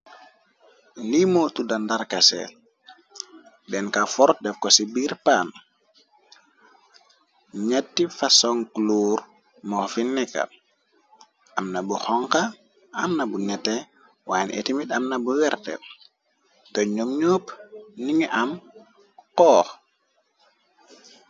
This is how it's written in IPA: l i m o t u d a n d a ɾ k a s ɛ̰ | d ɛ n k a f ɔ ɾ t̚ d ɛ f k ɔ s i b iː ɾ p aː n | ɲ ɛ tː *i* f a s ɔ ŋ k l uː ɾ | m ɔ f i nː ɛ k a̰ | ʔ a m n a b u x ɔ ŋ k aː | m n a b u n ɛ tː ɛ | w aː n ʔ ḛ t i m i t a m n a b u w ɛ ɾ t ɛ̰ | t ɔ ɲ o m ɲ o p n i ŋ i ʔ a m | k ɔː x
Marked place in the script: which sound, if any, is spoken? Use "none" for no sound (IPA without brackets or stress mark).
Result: i